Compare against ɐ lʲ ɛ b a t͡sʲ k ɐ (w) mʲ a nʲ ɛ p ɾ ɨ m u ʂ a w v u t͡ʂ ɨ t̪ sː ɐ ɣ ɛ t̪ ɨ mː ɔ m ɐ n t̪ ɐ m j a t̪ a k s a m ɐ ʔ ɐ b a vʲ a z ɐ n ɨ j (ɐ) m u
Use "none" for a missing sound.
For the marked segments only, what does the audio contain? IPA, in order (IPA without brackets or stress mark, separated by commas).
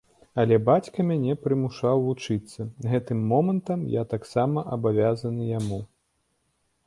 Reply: none, a